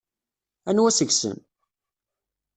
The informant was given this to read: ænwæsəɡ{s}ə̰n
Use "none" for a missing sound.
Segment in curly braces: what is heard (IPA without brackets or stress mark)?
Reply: s